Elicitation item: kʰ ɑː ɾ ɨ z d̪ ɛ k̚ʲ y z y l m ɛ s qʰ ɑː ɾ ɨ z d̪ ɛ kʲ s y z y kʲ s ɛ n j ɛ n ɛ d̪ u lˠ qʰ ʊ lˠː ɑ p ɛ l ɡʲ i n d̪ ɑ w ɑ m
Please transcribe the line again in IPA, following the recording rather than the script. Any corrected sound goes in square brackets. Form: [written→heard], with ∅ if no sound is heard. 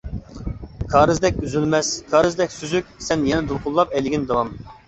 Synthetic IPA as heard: kʰ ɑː ɾ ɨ z d̪ ɛ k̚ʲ y z y l m ɛ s [qʰ→kʰ] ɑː ɾ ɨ z d̪ ɛ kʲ s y z y kʲ s ɛ n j ɛ n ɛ d̪ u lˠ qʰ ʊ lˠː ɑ p ɛ l ɡʲ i n d̪ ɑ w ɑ m